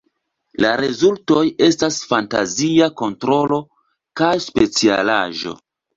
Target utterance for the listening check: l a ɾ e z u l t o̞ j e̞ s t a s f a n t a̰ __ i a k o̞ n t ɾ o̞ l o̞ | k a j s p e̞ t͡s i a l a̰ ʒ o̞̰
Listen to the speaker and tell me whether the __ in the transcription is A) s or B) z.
B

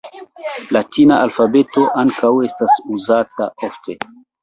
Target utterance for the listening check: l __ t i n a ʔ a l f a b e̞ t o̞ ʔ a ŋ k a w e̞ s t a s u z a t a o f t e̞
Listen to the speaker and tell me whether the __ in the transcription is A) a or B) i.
A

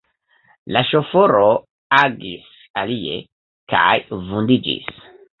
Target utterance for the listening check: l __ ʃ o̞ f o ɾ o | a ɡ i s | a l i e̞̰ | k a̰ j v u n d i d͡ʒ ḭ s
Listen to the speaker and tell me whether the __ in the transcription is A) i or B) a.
B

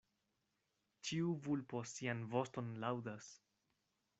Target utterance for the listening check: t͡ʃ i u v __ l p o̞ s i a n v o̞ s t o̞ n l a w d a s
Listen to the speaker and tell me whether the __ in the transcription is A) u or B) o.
A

